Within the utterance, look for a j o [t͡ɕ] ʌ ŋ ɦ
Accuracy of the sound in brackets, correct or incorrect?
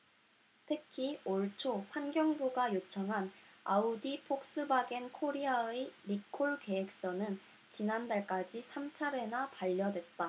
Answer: incorrect